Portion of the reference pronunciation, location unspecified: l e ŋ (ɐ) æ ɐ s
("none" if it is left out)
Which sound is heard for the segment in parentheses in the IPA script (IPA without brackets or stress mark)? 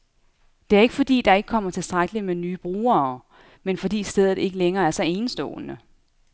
ɐː